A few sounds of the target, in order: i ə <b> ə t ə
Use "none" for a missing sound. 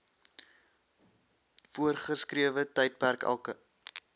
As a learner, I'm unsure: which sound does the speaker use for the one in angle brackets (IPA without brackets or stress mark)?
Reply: v